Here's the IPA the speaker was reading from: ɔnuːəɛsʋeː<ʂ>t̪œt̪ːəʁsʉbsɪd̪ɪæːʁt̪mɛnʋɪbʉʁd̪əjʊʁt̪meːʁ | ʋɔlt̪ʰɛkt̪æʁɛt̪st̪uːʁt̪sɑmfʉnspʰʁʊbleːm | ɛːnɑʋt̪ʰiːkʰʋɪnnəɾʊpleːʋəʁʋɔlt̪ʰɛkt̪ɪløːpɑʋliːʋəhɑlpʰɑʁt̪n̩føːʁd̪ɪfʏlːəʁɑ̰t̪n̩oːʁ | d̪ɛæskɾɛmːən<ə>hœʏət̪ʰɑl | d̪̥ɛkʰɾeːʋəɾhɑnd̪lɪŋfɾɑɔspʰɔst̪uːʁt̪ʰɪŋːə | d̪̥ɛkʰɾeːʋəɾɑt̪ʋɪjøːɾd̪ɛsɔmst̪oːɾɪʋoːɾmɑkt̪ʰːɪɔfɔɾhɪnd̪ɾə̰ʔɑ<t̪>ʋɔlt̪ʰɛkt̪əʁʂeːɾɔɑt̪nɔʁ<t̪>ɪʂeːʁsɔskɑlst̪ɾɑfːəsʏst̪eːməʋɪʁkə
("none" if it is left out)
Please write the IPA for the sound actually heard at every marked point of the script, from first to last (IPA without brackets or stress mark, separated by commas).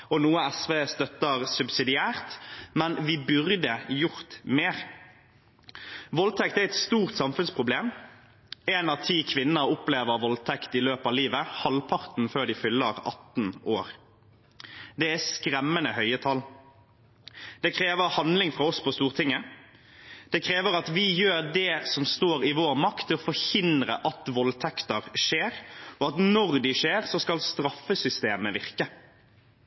s, ə, t̪, d̪